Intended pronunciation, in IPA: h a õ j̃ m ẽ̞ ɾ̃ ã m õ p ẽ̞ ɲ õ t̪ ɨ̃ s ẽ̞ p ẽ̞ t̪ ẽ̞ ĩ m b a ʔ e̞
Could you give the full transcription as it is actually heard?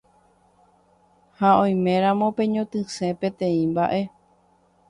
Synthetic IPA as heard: h a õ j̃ m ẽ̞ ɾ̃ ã m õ p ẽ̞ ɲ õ t̪ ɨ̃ s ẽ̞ p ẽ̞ t̪ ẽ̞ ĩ m b a ʔ e̞